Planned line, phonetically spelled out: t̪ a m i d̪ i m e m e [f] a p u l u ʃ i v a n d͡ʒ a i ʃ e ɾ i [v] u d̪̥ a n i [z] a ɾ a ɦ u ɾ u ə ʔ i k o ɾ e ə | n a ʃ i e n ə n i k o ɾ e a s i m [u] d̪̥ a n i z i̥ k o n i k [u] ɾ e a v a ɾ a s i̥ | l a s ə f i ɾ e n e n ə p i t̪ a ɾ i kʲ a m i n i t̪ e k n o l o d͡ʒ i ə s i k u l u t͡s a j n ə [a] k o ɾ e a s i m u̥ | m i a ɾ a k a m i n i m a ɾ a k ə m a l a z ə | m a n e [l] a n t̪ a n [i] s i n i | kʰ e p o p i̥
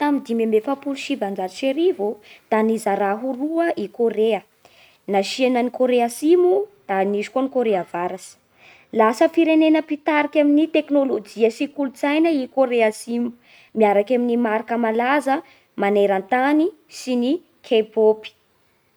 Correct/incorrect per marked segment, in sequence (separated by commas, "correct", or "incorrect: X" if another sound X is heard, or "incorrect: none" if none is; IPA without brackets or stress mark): correct, correct, correct, correct, incorrect: o, incorrect: i, incorrect: ɾ, correct